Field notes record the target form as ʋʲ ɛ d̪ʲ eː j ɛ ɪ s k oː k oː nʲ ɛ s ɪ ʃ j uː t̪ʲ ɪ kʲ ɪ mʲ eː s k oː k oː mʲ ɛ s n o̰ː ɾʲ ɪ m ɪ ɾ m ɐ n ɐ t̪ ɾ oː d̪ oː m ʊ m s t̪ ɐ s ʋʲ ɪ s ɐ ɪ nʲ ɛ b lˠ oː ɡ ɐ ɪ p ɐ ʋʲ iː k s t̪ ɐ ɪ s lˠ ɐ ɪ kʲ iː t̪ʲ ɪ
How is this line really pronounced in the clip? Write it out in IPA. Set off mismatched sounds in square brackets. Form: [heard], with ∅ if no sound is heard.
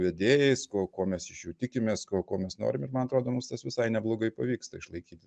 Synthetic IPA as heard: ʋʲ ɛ d̪ʲ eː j ɛ ɪ s k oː k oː [mʲ] ɛ s ɪ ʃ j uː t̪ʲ ɪ kʲ ɪ mʲ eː s k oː k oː mʲ ɛ s n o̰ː ɾʲ ɪ m ɪ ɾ m ɐ n ɐ t̪ ɾ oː d̪ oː m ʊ m s t̪ ɐ s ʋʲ ɪ s ɐ ɪ nʲ ɛ b lˠ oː ɡ ɐ ɪ p ɐ ʋʲ iː k s t̪ ɐ ɪ [ʃ] lˠ ɐ ɪ kʲ iː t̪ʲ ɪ